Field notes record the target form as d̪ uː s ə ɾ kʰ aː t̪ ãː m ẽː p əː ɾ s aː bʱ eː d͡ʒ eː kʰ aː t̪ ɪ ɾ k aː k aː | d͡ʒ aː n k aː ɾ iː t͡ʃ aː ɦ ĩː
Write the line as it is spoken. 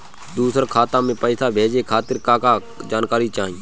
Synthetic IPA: d̪ uː s ə ɾ kʰ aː t̪ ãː m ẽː p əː s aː bʱ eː d͡ʒ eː kʰ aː t̪ ɪ ɾ k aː k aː | d͡ʒ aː n k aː ɾ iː t͡ʃ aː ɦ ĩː

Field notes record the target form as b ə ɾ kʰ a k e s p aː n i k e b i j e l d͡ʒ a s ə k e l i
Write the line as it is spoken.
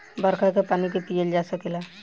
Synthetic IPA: b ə ɾ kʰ a k e p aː n i k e p i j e l d͡ʒ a s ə k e l a

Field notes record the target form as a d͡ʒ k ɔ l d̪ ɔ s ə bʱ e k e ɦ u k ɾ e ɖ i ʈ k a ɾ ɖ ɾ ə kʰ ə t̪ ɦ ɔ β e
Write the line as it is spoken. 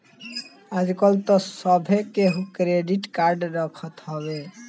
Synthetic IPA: a d͡ʒ k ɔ l t̪ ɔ s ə bʱ e k e ɦ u k ɾ e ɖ i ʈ k a ɾ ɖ ɾ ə kʰ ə t̪ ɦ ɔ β e

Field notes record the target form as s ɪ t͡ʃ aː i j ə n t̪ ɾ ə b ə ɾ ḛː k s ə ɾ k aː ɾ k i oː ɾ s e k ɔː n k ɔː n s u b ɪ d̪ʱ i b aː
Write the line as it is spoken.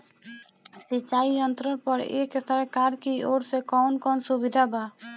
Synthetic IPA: s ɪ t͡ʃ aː i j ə n t̪ ɾ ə p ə ɾ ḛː k s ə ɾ k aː ɾ k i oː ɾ s e k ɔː n k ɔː n s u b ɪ d̪ʱ a b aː

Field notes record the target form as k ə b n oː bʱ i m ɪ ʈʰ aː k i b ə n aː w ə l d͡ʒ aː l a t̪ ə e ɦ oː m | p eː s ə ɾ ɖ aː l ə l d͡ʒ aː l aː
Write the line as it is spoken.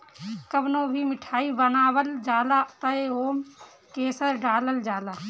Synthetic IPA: k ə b n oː bʱ i m ɪ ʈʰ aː i b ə n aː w ə l d͡ʒ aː l a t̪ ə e ɦ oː m | k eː s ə ɾ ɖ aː l ə l d͡ʒ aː l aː

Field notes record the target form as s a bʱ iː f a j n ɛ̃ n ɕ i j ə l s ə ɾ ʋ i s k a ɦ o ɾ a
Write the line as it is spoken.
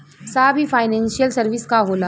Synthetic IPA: s a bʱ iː f a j n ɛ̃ n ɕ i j ə l s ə ɾ ʋ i s k a ɦ o l a

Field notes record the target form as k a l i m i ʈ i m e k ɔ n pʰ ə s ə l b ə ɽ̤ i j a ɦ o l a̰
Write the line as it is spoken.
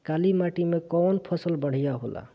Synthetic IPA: k a l i m a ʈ i m e k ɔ n pʰ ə s ə l b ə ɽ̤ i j a ɦ o l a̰

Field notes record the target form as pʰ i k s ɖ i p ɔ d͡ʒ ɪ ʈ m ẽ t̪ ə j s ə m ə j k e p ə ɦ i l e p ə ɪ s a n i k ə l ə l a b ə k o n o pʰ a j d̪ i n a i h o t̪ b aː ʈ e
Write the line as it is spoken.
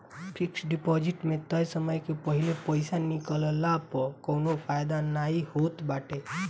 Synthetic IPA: pʰ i k s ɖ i p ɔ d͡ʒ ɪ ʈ m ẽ t̪ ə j s ə m ə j k e p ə ɦ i l e p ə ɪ s a n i k ə l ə l a p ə k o n o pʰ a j d̪ a n a i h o t̪ b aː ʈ e

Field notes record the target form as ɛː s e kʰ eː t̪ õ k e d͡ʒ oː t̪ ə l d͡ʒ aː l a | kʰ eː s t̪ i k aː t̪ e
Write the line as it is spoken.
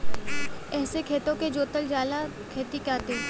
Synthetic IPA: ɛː s e kʰ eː t̪ õ k e d͡ʒ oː t̪ ə l d͡ʒ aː l a | kʰ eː t̪ i k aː t̪ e

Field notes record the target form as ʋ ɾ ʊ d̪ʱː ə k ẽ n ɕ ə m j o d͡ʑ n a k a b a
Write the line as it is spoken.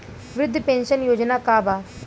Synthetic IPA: ʋ ɾ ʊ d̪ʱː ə p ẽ n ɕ ə n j o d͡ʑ n a k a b a

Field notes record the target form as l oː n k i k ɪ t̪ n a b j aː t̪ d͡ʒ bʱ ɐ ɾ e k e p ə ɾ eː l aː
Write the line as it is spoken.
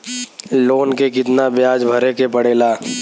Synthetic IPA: l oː n k e k ɪ t̪ n a b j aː d͡ʒ bʱ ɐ ɾ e k e p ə ɽ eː l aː

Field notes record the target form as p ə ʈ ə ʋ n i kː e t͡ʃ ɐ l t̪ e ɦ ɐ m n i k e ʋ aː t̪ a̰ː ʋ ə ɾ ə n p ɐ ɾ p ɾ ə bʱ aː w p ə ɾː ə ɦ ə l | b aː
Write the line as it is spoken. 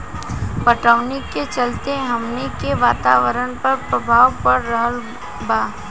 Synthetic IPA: p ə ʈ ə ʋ n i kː e t͡ʃ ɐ l t̪ e ɦ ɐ m n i k e ʋ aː t̪ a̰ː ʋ ə ɾ ə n p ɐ ɾ p ɾ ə bʱ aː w p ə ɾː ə ɦ ə l | b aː

